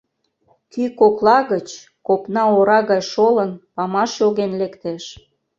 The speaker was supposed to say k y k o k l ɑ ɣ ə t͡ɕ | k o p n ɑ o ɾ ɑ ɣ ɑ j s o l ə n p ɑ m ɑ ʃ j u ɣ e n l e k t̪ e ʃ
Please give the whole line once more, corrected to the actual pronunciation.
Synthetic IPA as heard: k y k o k l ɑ ɣ ə t͡ɕ | k o p n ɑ o ɾ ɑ ɣ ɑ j ʃ o l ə n p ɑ m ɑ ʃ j o ɣ e n l e k t̪ e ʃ

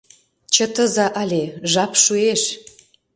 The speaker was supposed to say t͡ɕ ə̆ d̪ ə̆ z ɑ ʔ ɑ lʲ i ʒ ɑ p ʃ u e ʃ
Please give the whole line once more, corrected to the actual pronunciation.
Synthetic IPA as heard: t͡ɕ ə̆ t̪ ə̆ z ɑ ʔ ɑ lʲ e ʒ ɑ p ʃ u e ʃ

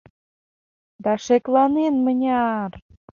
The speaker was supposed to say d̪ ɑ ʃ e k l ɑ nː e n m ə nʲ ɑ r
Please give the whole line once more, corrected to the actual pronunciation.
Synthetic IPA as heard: d̪ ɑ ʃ e k l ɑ n e n m ə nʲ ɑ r

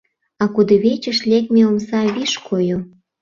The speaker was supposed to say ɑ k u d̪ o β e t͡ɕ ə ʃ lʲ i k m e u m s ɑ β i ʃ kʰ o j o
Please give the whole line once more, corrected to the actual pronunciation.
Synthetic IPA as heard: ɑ k u d̪ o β e t͡ɕ ə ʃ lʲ e k m e o m s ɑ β i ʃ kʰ o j o

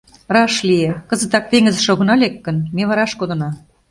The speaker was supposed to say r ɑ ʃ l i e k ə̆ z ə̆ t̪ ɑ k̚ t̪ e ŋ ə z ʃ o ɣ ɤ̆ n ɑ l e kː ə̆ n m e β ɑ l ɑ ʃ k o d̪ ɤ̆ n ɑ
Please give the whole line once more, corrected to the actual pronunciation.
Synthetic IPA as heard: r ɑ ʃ l i e k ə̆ z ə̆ t̪ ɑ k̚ t̪ e ŋ ə z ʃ o ɣ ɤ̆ n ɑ l e kː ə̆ n m e β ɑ ɾ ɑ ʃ k o d̪ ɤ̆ n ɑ

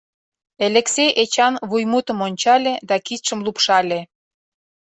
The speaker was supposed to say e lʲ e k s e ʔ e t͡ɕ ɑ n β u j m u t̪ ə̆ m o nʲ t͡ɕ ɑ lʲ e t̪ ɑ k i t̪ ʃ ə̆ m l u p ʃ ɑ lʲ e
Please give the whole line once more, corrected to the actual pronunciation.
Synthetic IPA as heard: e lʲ e k s e ʔ e t͡ɕ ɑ n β u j m u t̪ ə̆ m o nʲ t͡ɕ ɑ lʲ e d̪ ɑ k i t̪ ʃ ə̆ m l u p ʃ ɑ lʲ e

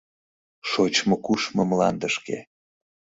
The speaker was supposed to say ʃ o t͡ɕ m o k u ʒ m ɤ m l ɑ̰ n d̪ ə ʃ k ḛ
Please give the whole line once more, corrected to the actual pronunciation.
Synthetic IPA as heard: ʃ o t͡ɕ m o k u ʃ m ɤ m l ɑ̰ n d̪ ə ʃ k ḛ

